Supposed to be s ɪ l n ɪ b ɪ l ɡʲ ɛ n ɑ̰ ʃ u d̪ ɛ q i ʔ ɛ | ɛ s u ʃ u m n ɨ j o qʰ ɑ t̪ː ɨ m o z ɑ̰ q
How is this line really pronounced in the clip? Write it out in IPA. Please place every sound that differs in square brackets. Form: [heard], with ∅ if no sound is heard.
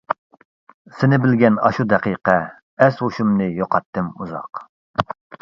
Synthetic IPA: s ɪ [∅] n ɪ b ɪ l ɡʲ ɛ n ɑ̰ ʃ u d̪ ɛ q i [q] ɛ | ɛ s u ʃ u m n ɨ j o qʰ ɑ t̪ː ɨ m [u] z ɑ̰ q